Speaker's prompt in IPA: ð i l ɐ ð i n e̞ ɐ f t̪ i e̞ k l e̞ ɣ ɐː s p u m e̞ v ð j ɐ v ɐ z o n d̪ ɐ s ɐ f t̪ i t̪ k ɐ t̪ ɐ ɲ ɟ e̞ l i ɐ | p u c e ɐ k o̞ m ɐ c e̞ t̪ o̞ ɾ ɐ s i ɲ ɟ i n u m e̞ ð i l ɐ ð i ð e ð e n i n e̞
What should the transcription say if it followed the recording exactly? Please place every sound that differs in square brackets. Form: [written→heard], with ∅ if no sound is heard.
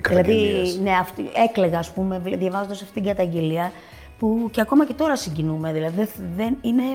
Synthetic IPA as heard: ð i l ɐ ð i n e̞ ɐ f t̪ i e̞ k l e̞ ɣ ɐː s p u m e̞ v ð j ɐ v ɐ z o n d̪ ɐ s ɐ f t̪ i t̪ [k→ɡ] ɐ t̪ ɐ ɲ ɟ e̞ l i ɐ | p u c e ɐ k o̞ m ɐ c e̞ t̪ o̞ ɾ ɐ s i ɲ ɟ i n u m e̞ ð i l ɐ ð i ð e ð e n i n e̞